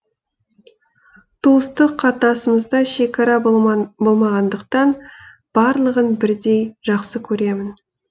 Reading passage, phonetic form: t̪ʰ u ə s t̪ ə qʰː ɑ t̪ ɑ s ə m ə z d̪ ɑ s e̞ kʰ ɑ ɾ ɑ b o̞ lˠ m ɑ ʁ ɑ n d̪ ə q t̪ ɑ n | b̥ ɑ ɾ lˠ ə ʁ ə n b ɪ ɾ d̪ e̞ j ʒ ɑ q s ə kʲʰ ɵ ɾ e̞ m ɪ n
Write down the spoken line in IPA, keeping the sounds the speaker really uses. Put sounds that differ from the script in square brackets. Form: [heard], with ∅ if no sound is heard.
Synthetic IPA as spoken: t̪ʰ u ə s t̪ ə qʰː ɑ t̪ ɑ s ə m ə z d̪ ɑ [ʃ] e̞ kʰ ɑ ɾ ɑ b o̞ lˠ m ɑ ʁ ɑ n d̪ ə q t̪ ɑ n | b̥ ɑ ɾ lˠ ə ʁ ə n b ɪ ɾ d̪ e̞ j ʒ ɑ q s ə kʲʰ ɵ ɾ e̞ m ɪ n